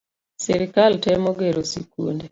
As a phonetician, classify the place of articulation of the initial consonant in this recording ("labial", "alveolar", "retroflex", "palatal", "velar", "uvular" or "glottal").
alveolar